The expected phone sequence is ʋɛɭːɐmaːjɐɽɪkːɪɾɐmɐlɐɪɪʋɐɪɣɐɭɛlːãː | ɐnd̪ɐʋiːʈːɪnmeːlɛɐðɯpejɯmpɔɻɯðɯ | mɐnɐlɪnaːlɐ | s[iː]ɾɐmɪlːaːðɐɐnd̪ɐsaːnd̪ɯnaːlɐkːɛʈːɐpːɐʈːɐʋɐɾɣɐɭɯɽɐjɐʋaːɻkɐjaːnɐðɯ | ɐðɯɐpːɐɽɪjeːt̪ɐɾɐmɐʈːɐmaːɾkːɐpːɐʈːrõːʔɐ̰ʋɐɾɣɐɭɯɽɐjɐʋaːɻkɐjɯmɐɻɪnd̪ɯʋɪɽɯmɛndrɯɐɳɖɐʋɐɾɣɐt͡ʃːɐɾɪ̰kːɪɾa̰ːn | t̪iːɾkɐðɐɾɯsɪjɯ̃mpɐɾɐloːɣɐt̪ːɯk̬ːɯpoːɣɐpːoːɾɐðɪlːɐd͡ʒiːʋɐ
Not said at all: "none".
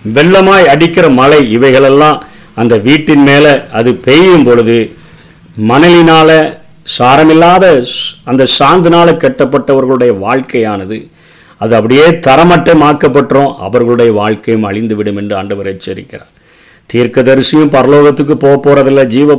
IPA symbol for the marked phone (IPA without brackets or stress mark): aː